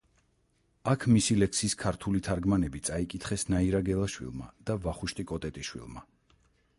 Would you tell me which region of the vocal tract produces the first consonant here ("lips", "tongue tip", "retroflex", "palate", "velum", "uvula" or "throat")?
velum